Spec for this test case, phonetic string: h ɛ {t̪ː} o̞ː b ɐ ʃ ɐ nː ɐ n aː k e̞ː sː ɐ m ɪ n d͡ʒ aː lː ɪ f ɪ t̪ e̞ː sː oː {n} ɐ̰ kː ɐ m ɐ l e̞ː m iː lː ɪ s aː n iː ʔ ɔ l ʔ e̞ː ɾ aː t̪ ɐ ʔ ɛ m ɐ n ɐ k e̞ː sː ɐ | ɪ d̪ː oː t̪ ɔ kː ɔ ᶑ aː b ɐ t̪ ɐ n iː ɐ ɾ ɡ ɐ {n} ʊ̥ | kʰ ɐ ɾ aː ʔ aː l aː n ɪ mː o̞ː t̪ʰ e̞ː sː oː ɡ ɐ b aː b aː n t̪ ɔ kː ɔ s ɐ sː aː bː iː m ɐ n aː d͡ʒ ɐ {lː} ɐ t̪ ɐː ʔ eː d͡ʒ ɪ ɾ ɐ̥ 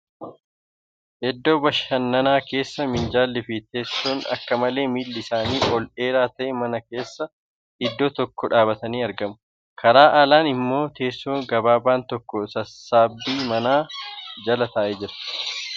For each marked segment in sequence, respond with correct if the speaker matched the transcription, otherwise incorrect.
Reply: incorrect, correct, incorrect, incorrect

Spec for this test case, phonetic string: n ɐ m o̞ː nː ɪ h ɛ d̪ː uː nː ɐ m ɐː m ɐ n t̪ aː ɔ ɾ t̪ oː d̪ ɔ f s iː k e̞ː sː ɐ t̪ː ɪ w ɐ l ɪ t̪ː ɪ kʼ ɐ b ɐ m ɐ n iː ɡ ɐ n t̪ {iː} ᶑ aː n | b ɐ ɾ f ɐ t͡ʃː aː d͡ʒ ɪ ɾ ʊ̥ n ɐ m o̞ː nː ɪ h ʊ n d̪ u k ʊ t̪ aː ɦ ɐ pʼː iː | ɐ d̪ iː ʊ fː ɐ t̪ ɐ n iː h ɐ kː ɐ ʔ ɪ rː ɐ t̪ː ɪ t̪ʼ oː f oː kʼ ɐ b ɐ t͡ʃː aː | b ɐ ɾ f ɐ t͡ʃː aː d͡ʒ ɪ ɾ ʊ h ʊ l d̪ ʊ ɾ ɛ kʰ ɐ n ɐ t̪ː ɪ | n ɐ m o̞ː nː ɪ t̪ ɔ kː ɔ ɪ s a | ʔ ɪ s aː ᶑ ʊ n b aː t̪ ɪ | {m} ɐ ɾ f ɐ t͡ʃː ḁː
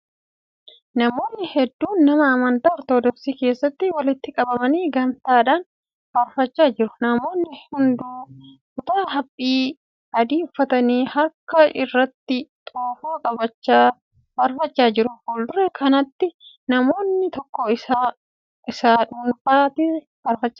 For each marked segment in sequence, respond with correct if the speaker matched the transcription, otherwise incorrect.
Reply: incorrect, incorrect

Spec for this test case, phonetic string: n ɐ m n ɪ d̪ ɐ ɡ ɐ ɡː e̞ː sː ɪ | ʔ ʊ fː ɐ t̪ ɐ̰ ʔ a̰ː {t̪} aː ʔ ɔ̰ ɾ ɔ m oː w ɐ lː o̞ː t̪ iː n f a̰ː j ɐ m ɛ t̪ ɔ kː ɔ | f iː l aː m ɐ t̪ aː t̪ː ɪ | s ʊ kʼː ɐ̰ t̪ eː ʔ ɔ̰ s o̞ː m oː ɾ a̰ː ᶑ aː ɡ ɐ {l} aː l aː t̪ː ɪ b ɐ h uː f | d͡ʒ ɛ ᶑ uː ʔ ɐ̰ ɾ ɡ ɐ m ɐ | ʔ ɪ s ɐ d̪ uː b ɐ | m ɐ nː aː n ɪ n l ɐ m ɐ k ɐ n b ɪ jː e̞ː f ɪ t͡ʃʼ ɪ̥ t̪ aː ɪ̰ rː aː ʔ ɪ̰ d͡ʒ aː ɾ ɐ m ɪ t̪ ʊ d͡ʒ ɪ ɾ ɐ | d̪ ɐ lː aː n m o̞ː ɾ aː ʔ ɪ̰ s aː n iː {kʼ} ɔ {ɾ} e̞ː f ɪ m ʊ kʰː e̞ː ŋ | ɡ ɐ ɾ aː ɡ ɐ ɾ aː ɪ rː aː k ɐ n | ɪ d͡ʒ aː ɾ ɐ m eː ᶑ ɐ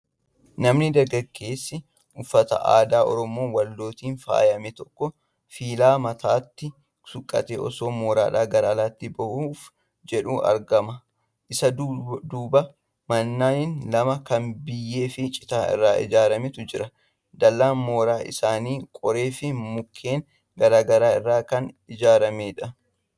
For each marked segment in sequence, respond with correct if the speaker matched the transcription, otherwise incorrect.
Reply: incorrect, incorrect, correct, correct

